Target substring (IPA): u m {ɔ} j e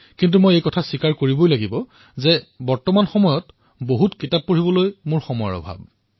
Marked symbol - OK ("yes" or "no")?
no